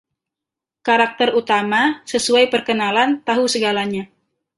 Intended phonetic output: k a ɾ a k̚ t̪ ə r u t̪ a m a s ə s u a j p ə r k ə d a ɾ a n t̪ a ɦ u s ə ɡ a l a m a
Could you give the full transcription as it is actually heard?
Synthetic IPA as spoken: k a ɾ a k̚ t̪ ə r u t̪ a m a s ə s u a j p ə r k ə n a l a n t̪ a ɦ u s ə ɡ a l a ɲ a